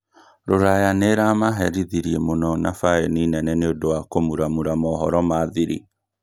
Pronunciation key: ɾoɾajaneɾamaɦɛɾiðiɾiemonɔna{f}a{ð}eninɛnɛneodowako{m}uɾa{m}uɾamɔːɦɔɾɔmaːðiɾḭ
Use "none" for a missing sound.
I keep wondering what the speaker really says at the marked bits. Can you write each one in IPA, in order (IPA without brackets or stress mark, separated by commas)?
f, none, m, m